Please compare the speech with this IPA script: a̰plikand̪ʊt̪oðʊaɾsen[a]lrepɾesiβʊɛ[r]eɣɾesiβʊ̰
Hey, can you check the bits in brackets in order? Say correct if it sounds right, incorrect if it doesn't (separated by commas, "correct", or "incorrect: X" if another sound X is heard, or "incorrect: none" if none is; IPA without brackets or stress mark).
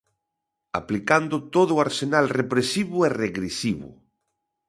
correct, correct